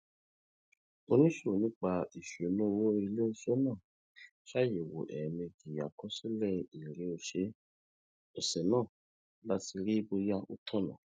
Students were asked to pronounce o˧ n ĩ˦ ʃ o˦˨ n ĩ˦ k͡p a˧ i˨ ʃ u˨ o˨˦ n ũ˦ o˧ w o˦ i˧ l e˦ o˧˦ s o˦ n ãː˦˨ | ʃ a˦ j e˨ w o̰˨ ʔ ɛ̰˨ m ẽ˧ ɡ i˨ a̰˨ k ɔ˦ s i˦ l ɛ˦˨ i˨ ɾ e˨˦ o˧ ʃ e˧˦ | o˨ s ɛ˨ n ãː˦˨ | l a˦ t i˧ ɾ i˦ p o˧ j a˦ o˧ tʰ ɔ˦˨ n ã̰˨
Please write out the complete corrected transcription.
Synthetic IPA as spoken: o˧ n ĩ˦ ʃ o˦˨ n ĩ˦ k͡p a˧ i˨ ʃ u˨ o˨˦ n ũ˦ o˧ w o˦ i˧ l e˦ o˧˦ s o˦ n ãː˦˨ | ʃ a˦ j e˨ w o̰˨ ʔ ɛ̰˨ m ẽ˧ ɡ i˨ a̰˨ k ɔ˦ s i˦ l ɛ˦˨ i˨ ɾ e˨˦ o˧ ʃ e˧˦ | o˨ s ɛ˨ n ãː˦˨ | l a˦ t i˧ ɾ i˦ b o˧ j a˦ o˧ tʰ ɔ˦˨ n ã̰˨